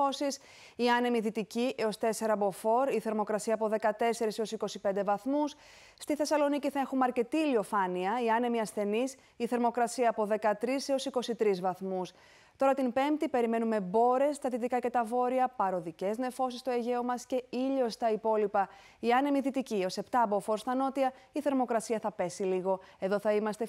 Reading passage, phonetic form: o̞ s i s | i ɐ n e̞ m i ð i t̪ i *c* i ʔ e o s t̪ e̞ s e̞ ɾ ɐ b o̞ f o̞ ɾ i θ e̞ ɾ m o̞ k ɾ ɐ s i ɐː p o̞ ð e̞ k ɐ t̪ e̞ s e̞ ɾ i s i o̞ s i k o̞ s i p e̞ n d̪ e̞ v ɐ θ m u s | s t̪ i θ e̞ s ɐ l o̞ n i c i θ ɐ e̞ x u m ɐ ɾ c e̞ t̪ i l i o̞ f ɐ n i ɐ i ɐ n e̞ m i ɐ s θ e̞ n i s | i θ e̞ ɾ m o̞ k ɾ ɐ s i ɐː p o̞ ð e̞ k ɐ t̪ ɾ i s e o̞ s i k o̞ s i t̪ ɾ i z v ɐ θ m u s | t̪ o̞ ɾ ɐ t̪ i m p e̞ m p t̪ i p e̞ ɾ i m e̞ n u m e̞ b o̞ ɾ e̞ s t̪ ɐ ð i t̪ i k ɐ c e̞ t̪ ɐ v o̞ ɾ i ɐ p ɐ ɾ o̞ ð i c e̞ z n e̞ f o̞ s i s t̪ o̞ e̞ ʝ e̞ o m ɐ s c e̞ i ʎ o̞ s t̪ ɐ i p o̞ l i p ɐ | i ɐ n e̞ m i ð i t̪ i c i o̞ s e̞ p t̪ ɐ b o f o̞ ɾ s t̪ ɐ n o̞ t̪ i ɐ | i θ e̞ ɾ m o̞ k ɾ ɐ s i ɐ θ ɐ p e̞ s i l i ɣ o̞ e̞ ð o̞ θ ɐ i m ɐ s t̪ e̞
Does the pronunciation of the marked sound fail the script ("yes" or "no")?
no